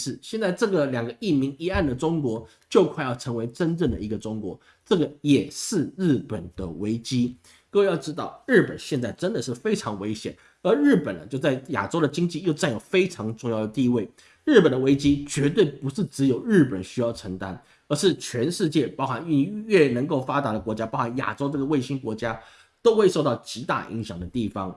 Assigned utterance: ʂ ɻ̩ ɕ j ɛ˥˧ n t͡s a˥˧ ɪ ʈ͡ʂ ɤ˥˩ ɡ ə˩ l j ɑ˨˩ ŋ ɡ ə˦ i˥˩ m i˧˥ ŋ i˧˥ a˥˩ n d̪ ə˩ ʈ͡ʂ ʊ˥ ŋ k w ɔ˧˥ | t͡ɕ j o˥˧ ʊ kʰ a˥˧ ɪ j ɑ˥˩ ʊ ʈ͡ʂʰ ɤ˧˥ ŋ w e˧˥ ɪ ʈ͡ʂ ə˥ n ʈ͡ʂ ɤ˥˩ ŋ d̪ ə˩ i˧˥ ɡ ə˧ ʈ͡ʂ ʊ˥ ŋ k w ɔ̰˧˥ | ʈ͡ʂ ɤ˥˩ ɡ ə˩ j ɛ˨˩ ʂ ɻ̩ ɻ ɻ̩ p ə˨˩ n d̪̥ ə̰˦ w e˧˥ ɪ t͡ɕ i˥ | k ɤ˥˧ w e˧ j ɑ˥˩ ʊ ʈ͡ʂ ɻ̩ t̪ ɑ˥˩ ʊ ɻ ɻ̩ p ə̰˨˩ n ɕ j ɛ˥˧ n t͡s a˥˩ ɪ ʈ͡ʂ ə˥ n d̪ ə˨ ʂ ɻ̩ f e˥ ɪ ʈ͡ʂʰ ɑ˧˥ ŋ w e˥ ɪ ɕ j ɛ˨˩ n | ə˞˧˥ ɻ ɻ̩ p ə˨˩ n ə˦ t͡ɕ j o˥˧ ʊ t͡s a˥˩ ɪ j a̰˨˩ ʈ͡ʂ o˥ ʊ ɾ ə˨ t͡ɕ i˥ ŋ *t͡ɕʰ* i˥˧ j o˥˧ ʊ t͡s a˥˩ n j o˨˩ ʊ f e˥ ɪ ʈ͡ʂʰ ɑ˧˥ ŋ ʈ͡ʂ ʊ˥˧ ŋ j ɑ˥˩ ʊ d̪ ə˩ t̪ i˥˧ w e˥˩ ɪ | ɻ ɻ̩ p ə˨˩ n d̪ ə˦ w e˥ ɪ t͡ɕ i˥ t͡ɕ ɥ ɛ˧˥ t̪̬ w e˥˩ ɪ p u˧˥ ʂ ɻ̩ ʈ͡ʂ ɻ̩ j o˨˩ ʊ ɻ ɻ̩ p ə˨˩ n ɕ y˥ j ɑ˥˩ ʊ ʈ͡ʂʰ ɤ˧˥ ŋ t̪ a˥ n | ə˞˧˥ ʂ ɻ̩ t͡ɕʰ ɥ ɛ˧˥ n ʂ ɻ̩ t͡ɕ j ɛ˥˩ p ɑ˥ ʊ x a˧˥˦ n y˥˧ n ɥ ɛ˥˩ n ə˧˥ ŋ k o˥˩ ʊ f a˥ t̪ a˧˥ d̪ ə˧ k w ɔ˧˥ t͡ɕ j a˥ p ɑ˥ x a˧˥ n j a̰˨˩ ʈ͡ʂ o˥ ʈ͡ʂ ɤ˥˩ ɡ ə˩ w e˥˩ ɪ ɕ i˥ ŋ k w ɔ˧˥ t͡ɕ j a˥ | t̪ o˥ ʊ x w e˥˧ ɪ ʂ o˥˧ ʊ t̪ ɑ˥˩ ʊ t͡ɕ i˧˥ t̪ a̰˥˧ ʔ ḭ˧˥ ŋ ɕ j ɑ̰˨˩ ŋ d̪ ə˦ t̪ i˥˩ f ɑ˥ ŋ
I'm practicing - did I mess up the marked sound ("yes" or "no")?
yes